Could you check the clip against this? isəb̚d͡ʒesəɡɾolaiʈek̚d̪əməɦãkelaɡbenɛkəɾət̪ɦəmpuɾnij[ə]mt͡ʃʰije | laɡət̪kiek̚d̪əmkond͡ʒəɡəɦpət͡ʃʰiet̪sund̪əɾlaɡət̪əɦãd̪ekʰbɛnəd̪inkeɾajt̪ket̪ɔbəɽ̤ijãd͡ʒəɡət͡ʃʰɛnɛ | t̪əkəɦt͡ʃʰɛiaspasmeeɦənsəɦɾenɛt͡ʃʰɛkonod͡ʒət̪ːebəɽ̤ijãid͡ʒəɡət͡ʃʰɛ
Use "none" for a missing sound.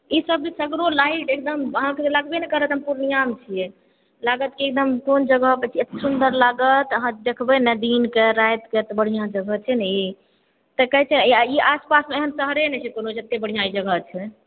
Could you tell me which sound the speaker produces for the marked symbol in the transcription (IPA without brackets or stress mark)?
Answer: a